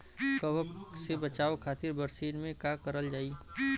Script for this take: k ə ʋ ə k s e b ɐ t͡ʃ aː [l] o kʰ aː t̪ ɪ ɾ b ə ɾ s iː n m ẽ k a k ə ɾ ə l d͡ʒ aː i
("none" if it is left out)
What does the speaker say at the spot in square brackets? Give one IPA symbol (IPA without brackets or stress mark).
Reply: none